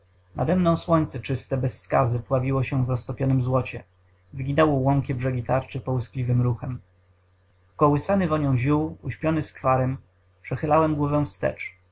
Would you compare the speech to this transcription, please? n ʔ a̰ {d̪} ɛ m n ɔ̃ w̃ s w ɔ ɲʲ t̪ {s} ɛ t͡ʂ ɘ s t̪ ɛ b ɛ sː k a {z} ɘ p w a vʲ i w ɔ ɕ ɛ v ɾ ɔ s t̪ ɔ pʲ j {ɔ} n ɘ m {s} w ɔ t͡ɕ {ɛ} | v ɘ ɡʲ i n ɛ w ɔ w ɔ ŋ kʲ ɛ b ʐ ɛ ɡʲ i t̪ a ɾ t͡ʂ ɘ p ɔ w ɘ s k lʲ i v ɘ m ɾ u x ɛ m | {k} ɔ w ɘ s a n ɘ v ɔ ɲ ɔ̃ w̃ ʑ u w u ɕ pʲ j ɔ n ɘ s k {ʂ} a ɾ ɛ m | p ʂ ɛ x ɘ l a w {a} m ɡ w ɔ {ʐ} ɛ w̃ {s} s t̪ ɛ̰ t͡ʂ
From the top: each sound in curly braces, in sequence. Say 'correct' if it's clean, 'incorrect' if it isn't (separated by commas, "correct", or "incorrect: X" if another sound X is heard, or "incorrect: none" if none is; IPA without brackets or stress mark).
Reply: correct, correct, correct, correct, incorrect: z, correct, correct, incorrect: f, incorrect: ɛ, incorrect: v, incorrect: f